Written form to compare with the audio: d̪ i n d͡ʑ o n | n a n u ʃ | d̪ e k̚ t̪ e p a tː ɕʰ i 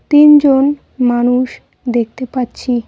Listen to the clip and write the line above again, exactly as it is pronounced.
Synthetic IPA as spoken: t̪ i n d͡ʑ o n | m a n u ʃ | d̪ e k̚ t̪ e p a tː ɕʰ i